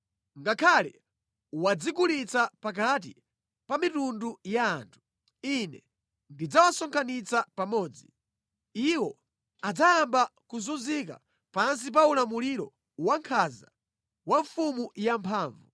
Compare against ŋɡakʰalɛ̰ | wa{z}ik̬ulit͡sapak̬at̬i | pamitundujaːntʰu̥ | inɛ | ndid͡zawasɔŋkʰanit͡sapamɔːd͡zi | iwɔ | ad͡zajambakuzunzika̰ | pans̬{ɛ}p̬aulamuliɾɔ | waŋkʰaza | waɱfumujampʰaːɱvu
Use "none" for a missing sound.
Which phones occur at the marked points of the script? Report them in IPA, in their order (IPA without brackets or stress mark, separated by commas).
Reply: d͡z, i